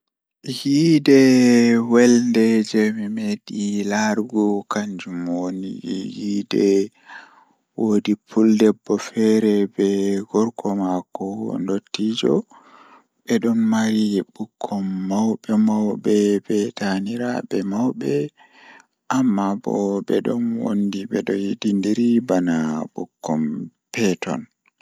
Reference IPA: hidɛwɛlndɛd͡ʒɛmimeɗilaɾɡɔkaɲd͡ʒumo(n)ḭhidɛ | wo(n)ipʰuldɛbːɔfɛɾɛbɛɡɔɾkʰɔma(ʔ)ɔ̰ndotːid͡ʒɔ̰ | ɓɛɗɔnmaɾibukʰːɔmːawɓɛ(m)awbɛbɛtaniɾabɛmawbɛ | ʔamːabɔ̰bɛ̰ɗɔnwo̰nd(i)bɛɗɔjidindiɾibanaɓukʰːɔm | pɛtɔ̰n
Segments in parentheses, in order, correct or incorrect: correct, incorrect: d, incorrect: k, correct, correct

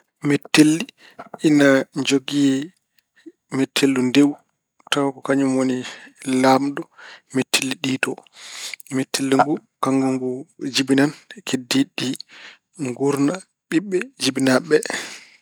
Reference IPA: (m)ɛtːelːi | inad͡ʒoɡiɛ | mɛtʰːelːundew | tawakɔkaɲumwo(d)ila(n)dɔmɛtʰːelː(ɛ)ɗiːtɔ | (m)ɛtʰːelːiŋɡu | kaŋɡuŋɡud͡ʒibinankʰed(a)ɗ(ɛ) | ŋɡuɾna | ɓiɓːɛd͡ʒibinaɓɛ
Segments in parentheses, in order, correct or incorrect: correct, incorrect: n, incorrect: m, incorrect: i, correct, incorrect: i, incorrect: i

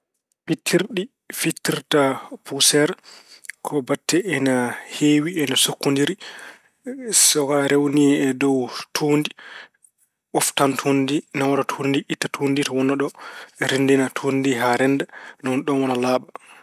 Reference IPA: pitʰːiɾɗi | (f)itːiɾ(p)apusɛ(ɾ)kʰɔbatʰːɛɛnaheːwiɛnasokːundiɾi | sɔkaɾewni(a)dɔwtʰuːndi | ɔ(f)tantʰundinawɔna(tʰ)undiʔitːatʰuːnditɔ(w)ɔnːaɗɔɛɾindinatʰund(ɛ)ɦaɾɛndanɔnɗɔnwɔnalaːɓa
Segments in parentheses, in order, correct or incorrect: correct, incorrect: t, correct, incorrect: ɛ, correct, correct, correct, incorrect: i

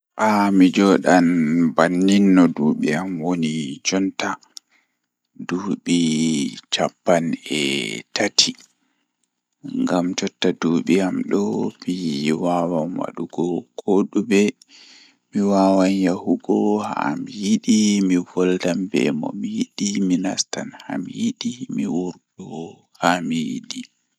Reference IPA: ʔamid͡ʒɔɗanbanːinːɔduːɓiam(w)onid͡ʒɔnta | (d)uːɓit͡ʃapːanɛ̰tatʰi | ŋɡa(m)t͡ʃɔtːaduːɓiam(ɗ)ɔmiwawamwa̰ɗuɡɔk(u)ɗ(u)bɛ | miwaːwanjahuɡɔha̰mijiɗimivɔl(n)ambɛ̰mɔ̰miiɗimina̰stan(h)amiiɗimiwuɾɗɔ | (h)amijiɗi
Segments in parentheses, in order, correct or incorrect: correct, correct, correct, correct, incorrect: o, correct, incorrect: d, correct, correct

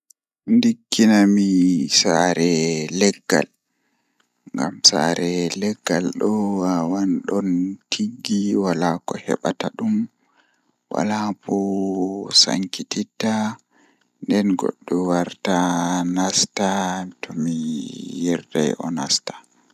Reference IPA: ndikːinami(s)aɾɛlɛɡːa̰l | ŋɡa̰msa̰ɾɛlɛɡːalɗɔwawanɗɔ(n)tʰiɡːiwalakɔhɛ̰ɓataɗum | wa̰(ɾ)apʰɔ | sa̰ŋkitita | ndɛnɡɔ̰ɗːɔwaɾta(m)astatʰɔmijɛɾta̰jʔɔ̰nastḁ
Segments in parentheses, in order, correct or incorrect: correct, correct, incorrect: l, incorrect: n

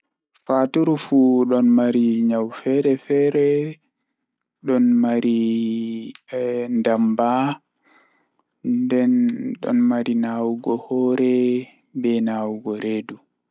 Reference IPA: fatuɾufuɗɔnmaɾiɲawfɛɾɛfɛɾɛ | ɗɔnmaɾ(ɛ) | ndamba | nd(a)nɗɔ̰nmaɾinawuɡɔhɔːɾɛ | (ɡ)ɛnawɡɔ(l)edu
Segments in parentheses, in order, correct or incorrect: incorrect: i, incorrect: ɛ, incorrect: b, incorrect: ɾ

